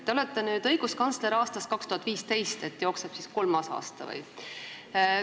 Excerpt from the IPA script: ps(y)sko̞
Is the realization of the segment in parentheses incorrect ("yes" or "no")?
yes